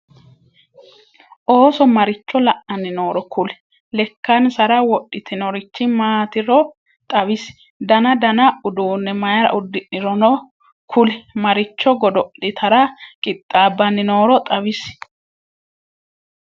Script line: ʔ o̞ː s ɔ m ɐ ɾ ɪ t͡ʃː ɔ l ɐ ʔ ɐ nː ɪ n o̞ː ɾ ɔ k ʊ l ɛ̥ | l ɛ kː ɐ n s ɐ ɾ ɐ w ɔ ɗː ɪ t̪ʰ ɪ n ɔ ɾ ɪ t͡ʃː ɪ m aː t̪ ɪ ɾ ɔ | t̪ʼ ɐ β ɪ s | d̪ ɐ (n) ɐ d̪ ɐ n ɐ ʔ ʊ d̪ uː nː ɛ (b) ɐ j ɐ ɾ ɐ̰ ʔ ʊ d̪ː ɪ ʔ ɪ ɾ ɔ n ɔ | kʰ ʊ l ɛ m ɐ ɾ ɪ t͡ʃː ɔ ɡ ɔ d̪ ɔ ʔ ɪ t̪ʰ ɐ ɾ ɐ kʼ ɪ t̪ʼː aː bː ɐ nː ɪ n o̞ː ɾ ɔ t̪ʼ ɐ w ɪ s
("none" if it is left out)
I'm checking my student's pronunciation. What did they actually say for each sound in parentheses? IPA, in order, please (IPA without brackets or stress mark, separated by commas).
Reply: n, m